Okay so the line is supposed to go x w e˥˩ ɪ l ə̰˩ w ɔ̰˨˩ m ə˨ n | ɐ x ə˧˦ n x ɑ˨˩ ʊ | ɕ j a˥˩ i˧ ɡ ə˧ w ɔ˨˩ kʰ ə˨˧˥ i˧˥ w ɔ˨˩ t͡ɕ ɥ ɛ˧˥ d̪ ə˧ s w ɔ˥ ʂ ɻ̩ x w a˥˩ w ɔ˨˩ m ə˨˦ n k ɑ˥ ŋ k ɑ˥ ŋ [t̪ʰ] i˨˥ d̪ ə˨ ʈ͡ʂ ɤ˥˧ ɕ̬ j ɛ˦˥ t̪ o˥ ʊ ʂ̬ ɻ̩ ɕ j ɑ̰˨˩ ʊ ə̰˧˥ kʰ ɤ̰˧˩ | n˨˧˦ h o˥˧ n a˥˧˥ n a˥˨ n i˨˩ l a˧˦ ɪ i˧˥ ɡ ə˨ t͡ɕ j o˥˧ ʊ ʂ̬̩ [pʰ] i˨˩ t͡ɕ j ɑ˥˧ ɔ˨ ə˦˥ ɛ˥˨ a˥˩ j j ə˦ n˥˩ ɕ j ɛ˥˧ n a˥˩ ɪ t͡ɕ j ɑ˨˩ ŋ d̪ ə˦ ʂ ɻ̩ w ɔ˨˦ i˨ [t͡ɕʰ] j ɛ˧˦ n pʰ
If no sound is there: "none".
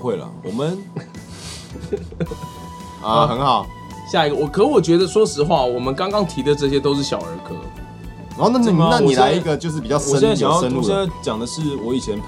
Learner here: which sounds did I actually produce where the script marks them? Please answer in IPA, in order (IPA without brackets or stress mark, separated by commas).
t̪ʰ, p, t͡ɕʰ